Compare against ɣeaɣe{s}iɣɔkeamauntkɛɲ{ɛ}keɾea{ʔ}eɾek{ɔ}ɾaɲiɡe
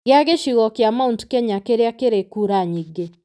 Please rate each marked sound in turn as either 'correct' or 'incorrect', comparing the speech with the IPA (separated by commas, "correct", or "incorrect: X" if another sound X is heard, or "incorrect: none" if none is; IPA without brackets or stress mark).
incorrect: ʃ, incorrect: a, incorrect: k, incorrect: u